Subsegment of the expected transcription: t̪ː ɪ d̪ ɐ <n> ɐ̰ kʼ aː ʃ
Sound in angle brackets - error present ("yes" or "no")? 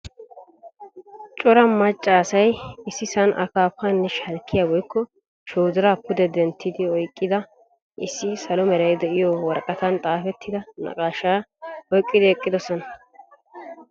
no